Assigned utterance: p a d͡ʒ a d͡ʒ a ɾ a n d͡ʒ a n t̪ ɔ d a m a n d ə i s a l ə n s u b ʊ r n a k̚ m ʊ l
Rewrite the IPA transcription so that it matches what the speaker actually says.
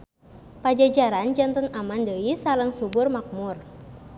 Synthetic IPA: p a d͡ʒ a d͡ʒ a ɾ a n d͡ʒ a n t̪ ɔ n a m a n d ə i s a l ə ŋ s u b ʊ r m a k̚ m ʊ r